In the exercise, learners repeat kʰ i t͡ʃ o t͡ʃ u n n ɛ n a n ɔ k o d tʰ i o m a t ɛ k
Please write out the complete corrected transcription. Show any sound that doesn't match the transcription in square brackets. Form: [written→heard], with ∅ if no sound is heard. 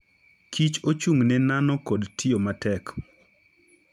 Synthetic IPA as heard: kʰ i t͡ʃ o t͡ʃ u [n→ŋ] n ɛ n a n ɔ k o d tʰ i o m a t ɛ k